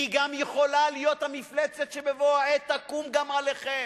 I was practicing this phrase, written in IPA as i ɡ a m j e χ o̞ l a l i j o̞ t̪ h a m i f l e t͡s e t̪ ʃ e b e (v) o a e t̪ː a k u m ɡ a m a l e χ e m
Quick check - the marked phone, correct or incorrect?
correct